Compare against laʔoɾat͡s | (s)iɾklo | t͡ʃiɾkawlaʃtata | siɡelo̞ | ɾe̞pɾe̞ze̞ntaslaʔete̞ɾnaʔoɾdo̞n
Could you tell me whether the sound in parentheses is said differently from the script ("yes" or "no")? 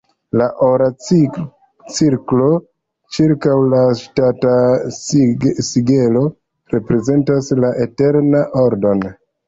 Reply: yes